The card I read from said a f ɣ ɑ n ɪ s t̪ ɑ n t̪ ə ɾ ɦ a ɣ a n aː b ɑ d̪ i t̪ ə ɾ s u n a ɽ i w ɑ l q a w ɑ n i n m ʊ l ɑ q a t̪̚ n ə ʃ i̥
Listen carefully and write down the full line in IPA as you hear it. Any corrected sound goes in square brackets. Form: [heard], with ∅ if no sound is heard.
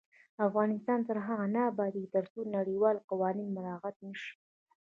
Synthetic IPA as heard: a f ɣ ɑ n ɪ s t̪ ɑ n t̪ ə ɾ ɦ a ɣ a n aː b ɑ d̪ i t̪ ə ɾ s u n a ɽ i w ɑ l q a w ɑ n i n m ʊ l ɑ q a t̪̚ n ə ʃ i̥